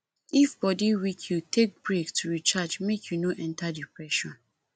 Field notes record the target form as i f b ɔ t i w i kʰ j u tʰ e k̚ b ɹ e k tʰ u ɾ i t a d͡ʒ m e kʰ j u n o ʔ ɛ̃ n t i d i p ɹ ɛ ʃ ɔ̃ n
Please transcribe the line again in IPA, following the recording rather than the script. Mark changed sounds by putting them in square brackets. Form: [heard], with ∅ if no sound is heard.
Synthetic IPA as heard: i f b ɔ [d] i w i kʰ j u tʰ e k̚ b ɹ e k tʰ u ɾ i [t͡ʃ] a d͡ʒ m e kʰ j u n o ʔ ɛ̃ n t [a] d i p ɹ ɛ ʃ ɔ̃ n